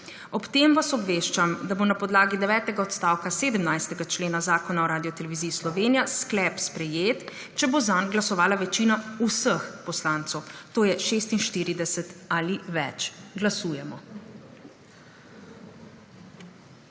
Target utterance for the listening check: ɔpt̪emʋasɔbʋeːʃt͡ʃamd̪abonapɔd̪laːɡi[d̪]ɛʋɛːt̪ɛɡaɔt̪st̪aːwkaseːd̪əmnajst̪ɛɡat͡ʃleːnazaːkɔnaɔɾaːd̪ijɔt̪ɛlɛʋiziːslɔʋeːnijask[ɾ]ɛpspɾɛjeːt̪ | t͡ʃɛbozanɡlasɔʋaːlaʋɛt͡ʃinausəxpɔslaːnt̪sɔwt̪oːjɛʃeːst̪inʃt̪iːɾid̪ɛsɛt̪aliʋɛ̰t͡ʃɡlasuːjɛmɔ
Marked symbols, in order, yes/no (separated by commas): yes, no